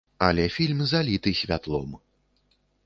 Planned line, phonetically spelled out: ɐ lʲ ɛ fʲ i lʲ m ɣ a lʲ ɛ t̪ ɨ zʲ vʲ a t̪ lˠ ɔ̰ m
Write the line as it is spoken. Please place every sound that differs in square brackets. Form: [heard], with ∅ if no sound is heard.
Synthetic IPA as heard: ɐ lʲ ɛ fʲ i lʲ m [z] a lʲ [i] t̪ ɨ [sʲ] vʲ a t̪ lˠ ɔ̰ m